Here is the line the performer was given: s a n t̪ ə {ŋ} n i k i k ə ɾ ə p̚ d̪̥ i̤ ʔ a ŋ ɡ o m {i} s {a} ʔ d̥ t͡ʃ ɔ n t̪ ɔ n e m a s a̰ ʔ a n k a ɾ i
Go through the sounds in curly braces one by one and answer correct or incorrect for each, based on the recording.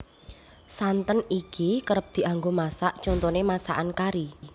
incorrect, incorrect, correct

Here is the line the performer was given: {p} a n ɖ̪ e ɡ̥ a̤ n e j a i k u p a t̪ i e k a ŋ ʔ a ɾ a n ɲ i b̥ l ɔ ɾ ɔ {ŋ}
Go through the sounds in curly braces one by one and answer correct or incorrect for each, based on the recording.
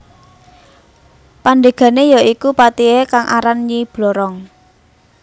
correct, correct

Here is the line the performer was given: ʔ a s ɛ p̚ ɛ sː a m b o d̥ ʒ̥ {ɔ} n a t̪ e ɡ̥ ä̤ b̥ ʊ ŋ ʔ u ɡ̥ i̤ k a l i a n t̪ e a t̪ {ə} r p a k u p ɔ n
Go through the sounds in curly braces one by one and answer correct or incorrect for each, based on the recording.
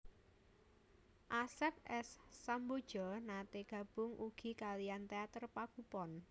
correct, correct

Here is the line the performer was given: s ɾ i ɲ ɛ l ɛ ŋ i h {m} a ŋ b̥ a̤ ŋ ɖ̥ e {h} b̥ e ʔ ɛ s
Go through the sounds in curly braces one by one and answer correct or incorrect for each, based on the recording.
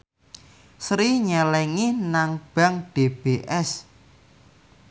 incorrect, incorrect

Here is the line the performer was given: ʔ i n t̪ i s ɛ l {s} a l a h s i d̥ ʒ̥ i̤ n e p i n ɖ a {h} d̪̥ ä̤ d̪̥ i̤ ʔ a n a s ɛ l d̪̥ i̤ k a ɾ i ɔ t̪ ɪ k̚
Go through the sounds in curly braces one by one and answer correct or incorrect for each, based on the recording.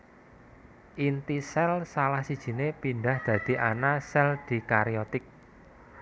correct, correct

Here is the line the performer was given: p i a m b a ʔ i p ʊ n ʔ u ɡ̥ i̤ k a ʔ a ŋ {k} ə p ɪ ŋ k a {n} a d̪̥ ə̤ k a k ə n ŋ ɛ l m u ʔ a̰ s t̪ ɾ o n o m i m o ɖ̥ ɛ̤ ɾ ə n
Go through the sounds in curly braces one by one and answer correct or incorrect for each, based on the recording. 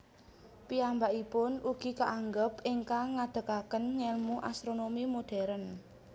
incorrect, incorrect

